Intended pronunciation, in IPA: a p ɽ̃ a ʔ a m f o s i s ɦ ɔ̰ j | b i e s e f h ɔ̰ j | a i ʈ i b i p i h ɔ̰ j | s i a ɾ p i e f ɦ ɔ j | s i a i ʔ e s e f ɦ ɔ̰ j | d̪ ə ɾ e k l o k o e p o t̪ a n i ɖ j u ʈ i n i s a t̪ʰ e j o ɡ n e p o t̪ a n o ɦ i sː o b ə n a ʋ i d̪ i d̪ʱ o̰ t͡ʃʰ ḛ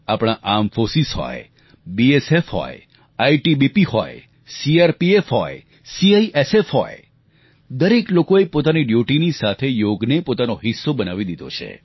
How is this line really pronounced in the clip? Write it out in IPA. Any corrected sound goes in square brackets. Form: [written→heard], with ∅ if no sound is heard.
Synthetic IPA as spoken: a p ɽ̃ a ʔ a m f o s i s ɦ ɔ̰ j | b i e s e f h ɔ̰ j | a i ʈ i b i p i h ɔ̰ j | s i a ɾ p i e f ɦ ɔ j | s i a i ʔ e s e f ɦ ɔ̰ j | d̪ ə ɾ e k l o k o e p o t̪ a n i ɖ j u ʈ i n i s a t̪ʰ e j o ɡ n e p o t̪ a n o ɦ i sː o b ə n a ʋ i d̪ i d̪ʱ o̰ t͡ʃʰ ḛ